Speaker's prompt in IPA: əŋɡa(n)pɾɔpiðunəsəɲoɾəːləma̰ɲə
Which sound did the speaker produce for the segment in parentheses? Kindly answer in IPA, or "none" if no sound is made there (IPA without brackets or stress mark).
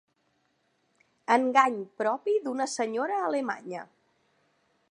ɲ